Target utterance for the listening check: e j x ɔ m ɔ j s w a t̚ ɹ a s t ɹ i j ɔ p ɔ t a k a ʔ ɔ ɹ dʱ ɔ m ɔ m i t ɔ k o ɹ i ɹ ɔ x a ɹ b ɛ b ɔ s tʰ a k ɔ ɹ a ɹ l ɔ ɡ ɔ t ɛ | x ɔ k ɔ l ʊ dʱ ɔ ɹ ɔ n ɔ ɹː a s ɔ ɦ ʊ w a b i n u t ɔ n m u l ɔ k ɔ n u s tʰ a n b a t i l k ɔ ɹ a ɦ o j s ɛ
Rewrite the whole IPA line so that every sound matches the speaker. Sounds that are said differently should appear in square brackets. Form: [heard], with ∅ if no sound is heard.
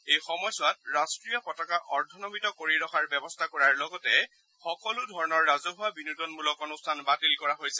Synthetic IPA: e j x ɔ m ɔ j s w a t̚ ɹ a s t ɹ i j ɔ p ɔ t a k a ʔ ɔ ɹ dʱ ɔ [n] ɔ m i t ɔ k o ɹ i ɹ ɔ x a ɹ b ɛ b ɔ s tʰ a k ɔ ɹ a ɹ l ɔ ɡ ɔ t ɛ | x ɔ k ɔ l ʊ dʱ ɔ ɹ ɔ n ɔ ɹː a [z] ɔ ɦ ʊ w a b i n u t ɔ n m u l ɔ k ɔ n u s tʰ a n b a t i l k ɔ ɹ a ɦ o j s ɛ